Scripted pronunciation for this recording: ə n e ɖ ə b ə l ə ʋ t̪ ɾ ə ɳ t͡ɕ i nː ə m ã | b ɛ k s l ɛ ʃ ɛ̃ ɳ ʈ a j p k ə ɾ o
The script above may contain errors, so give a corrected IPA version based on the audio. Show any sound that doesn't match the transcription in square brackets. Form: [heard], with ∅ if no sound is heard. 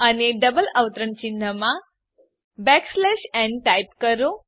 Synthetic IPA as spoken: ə n e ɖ ə b ə l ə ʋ t̪ ɾ ə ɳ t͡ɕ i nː ə m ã | b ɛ k s l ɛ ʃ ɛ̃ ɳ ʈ a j p k ə ɾ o